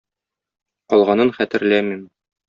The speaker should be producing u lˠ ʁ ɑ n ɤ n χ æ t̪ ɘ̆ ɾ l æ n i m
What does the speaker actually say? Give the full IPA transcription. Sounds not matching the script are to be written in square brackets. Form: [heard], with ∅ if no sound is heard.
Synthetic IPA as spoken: [ɒ] lˠ ʁ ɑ n ɤ n χ æ t̪ ɘ̆ ɾ l æ [m] i m